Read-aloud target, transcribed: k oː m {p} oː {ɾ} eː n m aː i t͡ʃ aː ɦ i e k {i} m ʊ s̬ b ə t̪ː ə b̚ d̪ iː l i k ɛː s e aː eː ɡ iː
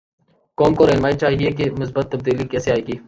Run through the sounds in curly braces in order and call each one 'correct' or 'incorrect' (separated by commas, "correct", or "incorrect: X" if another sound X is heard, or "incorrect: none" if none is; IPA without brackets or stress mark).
incorrect: k, correct, incorrect: e